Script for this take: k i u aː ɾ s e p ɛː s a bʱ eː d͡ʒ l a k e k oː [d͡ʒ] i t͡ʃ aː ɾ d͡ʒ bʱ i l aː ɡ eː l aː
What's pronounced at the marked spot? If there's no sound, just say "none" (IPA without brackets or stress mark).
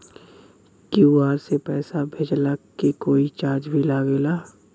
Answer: none